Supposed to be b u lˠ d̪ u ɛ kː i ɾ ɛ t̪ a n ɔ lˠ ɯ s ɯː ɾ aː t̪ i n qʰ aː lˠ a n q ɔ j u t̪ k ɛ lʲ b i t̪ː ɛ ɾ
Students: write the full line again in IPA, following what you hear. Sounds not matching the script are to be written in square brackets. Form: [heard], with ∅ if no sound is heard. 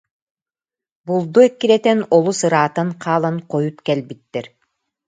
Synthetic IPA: b u lˠ d̪ u ɛ kː i ɾ ɛ t̪ [ɛ] n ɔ lˠ [u] s [ɯ] ɾ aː t̪ [a] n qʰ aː lˠ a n q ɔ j u t̪ k ɛ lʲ b i t̪ː ɛ ɾ